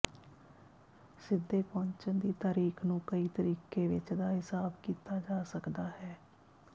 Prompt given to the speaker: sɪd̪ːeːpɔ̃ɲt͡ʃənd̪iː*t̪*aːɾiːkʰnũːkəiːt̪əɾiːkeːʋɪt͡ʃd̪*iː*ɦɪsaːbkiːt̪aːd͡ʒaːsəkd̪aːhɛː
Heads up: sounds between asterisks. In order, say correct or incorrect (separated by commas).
correct, incorrect